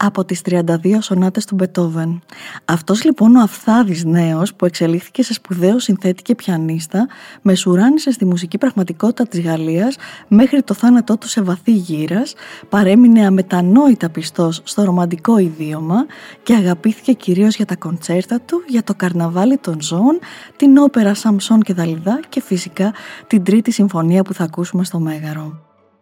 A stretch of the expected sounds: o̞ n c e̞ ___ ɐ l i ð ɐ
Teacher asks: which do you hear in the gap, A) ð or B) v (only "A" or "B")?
A